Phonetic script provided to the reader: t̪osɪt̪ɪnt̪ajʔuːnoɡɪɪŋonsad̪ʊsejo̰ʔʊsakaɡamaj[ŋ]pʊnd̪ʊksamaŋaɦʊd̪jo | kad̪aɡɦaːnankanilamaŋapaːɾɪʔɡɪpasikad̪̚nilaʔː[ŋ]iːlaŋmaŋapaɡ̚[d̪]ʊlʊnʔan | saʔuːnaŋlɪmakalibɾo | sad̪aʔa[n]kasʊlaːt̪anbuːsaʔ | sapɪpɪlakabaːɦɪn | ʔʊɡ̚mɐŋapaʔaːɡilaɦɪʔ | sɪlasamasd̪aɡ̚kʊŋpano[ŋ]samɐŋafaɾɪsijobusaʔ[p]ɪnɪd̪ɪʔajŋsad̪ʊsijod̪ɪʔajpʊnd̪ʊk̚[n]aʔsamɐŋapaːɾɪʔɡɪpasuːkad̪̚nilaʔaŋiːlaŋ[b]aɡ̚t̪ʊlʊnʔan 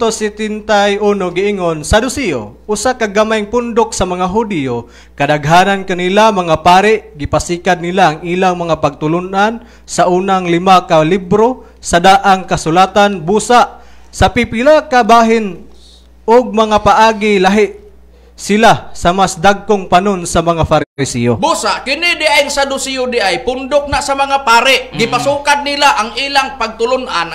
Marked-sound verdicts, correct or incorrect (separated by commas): correct, correct, incorrect, incorrect, incorrect, incorrect, correct, incorrect